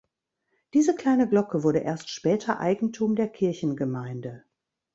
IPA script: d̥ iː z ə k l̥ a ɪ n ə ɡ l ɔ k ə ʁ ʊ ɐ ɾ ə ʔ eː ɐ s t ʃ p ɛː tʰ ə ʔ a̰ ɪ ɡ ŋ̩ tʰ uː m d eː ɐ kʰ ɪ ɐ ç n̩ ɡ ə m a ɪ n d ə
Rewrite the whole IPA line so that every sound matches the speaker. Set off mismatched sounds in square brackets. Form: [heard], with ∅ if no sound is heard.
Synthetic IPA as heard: d̥ iː z ə k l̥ a ɪ n ə ɡ l ɔ k ə [v] ʊ ɐ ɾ ə ʔ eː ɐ s t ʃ p ɛː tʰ [ɐ] ʔ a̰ ɪ ɡ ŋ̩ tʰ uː m d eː ɐ kʰ ɪ ɐ ç n̩ ɡ ə m a ɪ n d ə